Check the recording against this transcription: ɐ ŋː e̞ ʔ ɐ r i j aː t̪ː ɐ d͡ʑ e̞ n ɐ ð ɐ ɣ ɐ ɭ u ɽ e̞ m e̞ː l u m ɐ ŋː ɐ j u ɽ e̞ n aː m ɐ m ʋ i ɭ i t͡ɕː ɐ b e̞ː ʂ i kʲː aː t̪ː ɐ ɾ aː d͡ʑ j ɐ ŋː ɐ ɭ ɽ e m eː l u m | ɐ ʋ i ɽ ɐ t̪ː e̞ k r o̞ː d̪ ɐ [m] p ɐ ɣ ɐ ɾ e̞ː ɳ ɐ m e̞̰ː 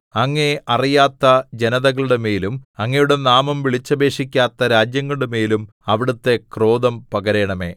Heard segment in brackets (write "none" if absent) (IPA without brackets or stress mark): m